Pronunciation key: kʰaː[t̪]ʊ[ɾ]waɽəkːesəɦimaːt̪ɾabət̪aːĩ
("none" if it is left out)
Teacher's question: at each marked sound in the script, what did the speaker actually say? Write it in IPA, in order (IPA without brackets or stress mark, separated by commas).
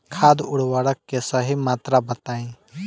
d̪, ɽ